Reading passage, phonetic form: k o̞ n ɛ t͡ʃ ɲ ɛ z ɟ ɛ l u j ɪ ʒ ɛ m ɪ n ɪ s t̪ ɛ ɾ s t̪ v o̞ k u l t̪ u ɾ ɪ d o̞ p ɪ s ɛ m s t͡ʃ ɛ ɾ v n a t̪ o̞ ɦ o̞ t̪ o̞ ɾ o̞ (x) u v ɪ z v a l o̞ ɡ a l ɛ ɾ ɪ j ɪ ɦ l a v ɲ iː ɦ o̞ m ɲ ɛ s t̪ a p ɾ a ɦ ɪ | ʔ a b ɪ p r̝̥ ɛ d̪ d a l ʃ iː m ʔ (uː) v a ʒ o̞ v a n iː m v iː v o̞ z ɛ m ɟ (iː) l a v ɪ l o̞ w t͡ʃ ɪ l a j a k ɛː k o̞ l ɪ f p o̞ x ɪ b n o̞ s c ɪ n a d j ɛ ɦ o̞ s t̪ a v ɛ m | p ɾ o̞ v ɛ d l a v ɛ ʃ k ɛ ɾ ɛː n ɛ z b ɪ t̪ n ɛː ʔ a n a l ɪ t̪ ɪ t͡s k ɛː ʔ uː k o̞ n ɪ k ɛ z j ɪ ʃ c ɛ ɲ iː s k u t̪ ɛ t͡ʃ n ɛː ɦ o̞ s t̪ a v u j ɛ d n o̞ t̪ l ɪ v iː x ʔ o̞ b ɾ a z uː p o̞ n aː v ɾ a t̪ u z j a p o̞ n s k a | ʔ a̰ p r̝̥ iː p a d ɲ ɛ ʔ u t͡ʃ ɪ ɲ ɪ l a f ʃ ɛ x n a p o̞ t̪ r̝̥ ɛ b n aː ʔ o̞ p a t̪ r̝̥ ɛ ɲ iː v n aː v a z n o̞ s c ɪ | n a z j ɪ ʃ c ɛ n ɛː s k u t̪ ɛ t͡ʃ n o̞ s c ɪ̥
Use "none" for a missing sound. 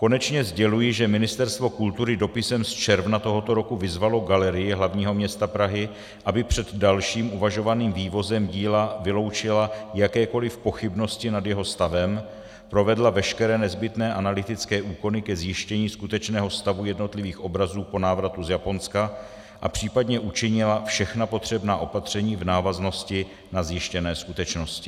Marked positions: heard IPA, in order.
k, u, iː

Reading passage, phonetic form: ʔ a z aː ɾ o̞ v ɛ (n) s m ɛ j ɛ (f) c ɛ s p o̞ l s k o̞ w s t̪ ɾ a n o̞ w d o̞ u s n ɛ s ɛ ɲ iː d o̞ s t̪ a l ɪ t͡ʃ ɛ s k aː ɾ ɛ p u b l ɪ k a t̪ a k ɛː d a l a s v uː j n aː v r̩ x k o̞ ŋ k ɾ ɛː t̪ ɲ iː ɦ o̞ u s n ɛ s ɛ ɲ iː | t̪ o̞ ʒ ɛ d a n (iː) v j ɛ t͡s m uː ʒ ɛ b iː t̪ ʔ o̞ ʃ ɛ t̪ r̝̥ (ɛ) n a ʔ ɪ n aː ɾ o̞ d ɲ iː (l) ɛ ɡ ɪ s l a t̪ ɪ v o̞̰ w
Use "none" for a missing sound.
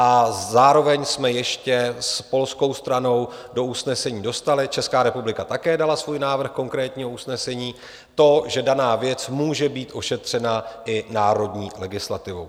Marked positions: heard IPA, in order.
ɲ, ʃ, aː, ɛ, l

